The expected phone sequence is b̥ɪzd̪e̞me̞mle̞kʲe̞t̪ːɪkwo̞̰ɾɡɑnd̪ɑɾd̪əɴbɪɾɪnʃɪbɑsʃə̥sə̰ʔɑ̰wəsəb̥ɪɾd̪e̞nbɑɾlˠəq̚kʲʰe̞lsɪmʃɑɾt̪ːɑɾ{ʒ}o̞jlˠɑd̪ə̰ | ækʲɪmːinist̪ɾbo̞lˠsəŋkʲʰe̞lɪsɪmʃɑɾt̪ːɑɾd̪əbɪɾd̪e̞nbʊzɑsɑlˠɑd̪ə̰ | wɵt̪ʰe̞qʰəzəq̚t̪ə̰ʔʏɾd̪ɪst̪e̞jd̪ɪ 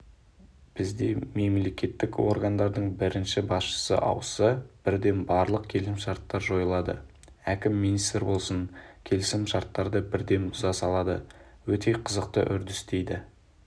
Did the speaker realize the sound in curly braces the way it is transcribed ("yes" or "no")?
yes